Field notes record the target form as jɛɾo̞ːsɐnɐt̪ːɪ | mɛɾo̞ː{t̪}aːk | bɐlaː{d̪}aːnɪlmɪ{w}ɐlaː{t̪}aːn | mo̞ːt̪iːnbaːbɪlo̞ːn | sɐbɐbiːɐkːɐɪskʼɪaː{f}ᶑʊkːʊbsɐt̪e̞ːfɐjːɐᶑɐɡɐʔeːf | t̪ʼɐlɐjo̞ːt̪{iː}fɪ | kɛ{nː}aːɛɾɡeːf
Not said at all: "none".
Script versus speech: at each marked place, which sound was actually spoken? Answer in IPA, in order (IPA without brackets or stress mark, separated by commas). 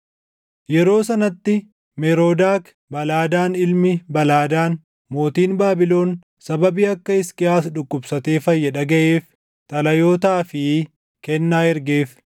d̪, d̪, b, d̪, s, aː, nː